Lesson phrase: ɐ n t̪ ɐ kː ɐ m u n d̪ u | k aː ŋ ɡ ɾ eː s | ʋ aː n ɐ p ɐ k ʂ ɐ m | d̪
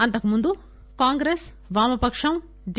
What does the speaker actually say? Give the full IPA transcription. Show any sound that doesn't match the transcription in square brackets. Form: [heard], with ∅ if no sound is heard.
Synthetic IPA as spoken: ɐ n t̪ ɐ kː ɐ m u n d̪ u | k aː ŋ ɡ ɾ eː s | ʋ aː [m] ɐ p ɐ k ʂ ɐ m | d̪